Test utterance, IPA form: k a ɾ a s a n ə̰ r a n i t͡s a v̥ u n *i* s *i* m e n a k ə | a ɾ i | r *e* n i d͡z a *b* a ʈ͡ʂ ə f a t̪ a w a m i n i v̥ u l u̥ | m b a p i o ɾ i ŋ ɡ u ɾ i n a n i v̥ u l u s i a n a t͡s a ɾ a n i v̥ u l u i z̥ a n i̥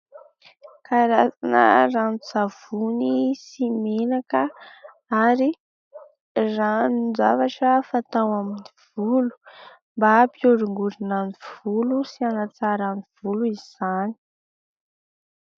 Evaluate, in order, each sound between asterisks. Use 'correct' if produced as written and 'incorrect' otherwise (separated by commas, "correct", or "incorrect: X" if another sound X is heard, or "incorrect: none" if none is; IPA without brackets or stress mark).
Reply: correct, correct, incorrect: a, incorrect: v